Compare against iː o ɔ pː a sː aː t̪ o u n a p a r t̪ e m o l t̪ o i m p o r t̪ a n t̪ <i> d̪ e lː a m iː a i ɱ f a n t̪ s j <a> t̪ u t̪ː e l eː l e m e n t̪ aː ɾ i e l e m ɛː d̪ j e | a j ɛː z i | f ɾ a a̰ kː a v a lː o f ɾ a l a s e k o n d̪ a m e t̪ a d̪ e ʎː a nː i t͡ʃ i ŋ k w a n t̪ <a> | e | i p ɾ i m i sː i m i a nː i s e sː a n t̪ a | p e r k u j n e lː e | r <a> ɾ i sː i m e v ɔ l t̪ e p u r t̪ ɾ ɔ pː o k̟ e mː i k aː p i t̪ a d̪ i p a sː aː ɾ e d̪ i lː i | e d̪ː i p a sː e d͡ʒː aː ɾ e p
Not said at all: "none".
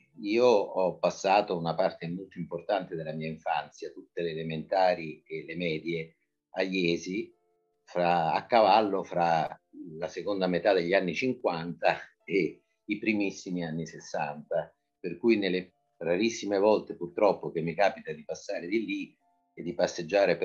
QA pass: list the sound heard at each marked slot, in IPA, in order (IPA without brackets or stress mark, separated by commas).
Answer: e, a, a, a